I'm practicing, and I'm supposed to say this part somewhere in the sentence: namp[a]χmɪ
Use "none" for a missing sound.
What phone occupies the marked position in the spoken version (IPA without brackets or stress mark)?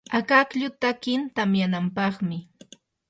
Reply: ɑ